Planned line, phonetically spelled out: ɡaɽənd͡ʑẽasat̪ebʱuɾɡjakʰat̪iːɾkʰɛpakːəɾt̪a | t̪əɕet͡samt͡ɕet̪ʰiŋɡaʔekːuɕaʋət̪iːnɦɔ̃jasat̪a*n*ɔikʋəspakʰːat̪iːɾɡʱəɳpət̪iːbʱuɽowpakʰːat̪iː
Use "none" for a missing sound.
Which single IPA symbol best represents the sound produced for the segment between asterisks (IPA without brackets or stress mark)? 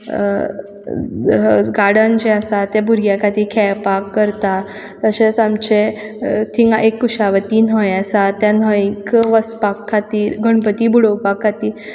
n